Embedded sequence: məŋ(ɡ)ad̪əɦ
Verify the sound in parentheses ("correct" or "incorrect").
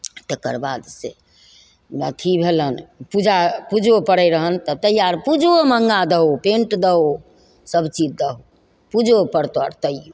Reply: correct